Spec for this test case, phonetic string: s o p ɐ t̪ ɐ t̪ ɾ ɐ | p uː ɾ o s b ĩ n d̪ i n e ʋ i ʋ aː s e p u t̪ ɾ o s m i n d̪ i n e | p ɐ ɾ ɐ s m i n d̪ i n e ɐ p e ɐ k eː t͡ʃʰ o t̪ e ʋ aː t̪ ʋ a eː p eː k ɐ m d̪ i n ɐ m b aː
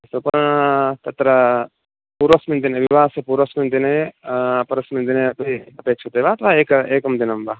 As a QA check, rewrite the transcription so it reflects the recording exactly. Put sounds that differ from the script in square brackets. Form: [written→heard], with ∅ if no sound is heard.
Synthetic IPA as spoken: s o p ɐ t̪ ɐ t̪ ɾ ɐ | p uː ɾ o s [b→m] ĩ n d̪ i n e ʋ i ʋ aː s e p u [t̪→∅] ɾ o s m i n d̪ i n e | p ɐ ɾ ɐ s m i n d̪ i n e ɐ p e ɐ [k→p] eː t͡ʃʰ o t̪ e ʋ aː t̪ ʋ a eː [p→k] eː k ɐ m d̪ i n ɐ m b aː